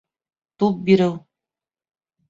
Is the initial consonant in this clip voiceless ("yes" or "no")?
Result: yes